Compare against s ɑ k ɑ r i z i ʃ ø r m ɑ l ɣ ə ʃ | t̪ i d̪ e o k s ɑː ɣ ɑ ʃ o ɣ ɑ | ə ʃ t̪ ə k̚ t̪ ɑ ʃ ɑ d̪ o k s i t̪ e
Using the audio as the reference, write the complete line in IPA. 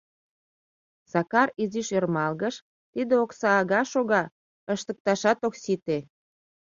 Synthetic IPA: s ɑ k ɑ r i z i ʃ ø r m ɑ l ɣ ə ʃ | t̪ i d̪ e o k s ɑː ɣ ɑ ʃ o ɣ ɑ | ə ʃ t̪ ə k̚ t̪ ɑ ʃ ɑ t̪ o k s i t̪ e